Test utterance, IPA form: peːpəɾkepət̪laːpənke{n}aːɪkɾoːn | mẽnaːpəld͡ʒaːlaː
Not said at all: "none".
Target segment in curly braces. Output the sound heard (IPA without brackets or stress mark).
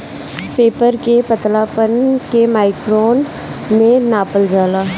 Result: m